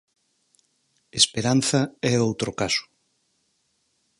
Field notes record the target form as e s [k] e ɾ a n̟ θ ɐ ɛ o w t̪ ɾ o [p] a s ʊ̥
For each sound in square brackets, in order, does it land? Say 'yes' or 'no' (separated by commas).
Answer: no, no